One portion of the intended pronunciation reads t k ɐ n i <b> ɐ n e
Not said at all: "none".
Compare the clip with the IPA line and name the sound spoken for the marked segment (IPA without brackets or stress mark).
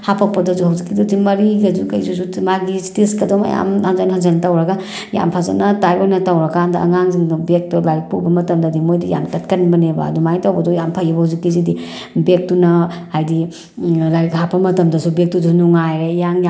b